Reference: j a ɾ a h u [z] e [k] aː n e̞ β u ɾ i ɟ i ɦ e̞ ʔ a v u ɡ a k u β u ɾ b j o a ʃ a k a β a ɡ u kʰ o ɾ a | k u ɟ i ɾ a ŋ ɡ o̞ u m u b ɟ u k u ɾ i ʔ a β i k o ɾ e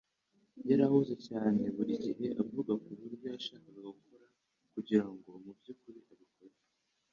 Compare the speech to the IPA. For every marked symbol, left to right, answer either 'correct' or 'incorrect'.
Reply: correct, incorrect

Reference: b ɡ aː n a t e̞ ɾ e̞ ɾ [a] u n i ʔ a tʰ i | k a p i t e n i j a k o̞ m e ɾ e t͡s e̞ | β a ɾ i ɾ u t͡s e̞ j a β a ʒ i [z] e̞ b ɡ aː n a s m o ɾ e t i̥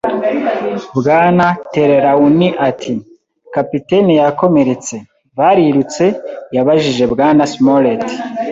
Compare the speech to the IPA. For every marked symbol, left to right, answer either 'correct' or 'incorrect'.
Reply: correct, incorrect

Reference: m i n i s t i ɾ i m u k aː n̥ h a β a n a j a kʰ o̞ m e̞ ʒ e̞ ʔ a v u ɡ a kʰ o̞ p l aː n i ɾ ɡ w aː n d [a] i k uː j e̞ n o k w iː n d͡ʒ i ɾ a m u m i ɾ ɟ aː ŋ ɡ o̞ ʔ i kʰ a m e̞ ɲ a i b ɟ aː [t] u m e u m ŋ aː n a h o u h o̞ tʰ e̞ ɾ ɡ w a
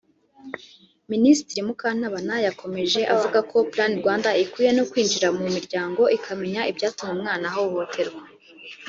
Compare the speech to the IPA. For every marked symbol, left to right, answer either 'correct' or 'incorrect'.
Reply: correct, correct

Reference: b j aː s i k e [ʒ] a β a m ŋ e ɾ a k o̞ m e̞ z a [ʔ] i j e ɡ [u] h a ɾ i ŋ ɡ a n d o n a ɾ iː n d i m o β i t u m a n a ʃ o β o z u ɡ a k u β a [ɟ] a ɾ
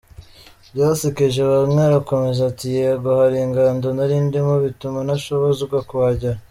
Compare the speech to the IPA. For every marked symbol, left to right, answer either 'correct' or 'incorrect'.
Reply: correct, incorrect, incorrect, correct

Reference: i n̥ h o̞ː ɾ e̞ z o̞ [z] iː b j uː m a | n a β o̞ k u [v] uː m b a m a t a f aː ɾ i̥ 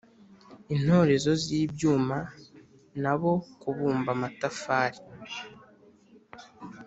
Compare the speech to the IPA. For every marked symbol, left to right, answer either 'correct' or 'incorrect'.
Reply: correct, incorrect

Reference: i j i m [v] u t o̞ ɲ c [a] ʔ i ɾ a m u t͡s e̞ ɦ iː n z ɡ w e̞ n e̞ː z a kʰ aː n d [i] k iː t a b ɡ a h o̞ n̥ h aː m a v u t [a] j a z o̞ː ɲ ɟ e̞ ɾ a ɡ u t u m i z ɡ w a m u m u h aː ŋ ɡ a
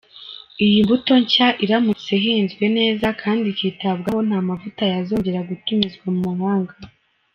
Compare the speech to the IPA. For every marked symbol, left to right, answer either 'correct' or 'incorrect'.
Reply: incorrect, correct, correct, correct

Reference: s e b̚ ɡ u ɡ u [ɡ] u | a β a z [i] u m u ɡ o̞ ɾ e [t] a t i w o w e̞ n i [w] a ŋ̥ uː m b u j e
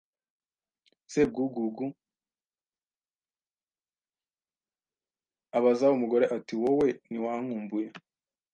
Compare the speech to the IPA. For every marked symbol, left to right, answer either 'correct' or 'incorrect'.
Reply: correct, incorrect, incorrect, correct

